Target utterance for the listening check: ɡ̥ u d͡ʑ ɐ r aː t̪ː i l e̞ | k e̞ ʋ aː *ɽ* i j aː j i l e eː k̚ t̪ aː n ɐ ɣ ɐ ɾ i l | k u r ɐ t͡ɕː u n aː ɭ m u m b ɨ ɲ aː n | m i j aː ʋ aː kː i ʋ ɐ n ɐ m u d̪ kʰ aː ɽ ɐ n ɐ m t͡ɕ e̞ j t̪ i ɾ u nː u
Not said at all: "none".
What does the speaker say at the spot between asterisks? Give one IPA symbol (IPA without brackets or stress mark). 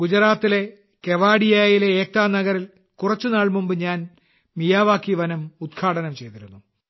ɽ